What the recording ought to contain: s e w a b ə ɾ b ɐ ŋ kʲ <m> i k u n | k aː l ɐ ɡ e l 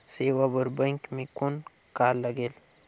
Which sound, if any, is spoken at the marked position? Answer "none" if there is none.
m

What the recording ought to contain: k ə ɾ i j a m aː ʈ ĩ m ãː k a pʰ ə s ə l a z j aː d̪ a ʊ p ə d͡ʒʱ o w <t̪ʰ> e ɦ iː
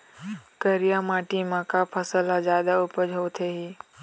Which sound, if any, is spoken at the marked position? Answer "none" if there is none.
t̪ʰ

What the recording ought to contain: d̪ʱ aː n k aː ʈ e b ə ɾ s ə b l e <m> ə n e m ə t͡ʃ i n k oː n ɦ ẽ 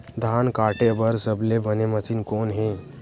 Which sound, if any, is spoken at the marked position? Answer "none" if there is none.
b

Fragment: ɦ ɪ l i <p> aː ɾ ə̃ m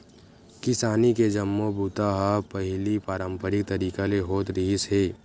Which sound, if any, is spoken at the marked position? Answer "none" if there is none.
p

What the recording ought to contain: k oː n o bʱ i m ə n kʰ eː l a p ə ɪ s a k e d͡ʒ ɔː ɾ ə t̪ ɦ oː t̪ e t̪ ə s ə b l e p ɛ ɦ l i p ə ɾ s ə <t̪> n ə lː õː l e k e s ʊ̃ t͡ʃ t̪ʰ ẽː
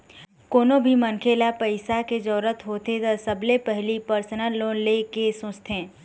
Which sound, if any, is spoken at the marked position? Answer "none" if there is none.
none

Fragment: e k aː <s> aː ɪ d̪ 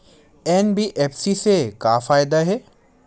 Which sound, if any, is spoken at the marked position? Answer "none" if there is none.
f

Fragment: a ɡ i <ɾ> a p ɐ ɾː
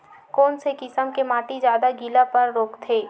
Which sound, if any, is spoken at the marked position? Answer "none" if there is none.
l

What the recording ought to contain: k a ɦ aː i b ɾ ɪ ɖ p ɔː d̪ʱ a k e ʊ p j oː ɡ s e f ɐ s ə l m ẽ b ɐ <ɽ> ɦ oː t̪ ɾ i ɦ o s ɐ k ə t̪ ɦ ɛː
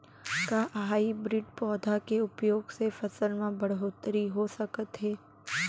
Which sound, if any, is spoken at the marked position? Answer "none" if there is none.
ɽ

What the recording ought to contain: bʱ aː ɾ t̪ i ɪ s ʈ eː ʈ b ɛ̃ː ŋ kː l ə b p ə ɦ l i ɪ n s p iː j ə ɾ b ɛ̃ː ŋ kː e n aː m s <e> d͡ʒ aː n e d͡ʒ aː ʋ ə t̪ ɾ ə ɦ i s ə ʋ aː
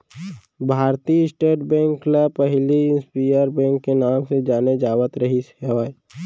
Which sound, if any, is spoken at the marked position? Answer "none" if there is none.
e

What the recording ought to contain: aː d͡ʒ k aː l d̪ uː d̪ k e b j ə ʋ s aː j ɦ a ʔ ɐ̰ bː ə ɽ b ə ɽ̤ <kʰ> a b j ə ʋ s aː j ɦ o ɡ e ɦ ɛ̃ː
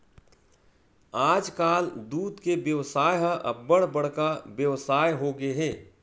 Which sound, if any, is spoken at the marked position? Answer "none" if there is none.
k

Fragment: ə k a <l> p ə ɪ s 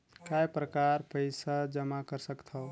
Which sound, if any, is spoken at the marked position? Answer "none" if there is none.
ɾ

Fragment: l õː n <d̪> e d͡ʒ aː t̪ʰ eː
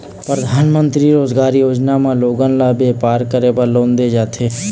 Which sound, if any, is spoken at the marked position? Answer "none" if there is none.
d̪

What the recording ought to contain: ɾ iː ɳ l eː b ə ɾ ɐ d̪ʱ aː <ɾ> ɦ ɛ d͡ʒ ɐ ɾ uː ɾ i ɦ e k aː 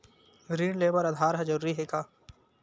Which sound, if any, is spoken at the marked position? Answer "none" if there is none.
ɾ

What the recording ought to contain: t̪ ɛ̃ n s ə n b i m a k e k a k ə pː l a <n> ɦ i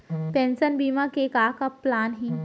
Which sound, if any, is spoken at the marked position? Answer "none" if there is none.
n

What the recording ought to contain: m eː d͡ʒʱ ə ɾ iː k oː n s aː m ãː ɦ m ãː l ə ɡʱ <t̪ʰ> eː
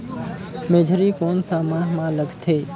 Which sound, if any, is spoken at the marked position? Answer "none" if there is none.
t̪ʰ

